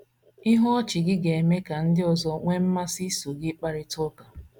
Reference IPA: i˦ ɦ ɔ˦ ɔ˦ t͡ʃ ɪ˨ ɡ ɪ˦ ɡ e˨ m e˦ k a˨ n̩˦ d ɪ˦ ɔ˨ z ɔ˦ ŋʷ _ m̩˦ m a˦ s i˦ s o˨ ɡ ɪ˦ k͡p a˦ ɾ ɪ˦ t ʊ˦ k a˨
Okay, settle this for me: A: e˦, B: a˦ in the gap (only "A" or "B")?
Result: A